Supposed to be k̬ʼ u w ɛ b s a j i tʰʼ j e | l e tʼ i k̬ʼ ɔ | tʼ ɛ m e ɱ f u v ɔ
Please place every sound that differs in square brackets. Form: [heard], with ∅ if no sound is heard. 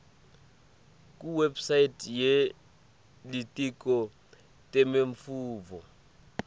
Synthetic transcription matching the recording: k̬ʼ u w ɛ b s a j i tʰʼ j e | l [i] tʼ i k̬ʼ ɔ | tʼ ɛ m e ɱ f [uː] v ɔ